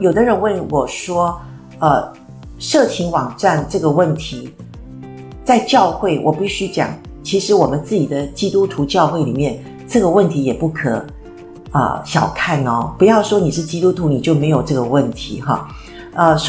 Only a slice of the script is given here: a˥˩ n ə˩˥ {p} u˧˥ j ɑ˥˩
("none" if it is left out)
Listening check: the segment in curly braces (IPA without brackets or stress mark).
p